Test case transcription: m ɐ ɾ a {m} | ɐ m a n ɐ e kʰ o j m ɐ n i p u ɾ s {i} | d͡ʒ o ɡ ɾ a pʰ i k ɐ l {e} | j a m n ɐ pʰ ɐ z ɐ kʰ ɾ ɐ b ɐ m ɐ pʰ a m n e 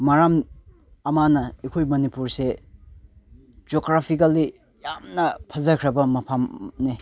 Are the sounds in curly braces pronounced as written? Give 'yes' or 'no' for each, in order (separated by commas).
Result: yes, no, no